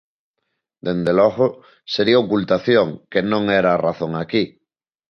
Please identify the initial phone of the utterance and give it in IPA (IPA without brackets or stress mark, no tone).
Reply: d̪